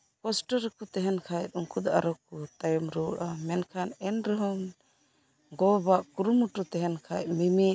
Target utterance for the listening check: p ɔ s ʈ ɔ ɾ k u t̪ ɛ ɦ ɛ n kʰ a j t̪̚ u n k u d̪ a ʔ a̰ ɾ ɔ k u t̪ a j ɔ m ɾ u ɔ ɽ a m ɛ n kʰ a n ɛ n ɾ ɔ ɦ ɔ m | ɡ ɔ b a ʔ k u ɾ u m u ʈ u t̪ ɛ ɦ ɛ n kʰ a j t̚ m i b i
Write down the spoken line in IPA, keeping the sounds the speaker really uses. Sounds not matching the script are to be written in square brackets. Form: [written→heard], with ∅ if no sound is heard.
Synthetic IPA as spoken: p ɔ s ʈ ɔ ɾ k u t̪ ɛ ɦ ɛ n kʰ a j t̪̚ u [n→ŋ] k u d̪ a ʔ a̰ ɾ ɔ k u t̪ a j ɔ m ɾ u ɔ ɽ a m ɛ n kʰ a n ɛ n ɾ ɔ ɦ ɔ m | ɡ ɔ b a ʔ k u ɾ u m u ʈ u t̪ ɛ ɦ ɛ n kʰ a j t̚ m i [b→m] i